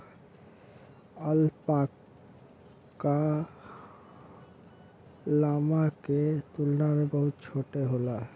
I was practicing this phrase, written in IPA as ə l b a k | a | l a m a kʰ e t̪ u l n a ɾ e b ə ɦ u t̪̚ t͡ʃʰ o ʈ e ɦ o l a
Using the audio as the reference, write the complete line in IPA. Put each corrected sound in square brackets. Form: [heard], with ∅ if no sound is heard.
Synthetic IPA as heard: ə l [p] a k | a | l a m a [k] e t̪ u l n a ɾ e b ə ɦ u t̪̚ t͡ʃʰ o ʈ e ɦ o l a